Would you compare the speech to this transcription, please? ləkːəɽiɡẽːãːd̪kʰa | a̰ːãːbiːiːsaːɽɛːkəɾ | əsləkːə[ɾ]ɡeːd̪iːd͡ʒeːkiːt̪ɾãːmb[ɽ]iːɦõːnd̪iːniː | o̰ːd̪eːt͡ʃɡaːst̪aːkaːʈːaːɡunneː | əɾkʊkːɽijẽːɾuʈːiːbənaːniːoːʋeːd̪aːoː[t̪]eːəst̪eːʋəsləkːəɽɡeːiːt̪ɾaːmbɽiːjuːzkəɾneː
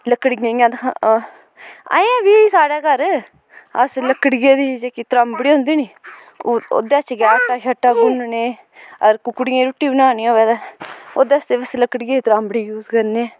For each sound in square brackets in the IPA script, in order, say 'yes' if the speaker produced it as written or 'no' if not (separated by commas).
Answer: no, yes, no